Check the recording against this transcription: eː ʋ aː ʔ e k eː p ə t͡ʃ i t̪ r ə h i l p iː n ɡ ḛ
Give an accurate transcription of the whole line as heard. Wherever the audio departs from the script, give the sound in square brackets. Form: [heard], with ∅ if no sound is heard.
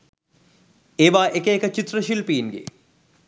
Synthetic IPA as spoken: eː ʋ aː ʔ e k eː [k] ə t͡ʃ i t̪ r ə [ʃ] i l p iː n ɡ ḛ